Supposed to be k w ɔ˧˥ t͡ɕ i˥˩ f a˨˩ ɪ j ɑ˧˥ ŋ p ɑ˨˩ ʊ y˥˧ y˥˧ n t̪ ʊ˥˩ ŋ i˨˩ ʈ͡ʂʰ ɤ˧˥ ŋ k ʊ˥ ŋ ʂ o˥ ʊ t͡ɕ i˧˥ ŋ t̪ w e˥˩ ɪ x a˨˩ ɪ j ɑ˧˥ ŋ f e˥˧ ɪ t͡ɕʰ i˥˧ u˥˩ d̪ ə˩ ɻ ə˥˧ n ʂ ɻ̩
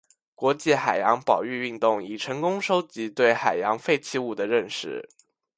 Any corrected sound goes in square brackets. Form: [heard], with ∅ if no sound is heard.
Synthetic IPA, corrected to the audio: k w ɔ˧˥ t͡ɕ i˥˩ [x] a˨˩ ɪ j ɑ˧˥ ŋ p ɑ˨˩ ʊ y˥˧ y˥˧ n t̪ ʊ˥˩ ŋ i˨˩ ʈ͡ʂʰ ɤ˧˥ ŋ k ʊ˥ ŋ ʂ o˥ ʊ t͡ɕ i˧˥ [∅] t̪ w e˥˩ ɪ x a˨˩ ɪ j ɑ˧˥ ŋ f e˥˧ ɪ t͡ɕʰ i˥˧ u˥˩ d̪ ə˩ ɻ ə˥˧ n ʂ ɻ̩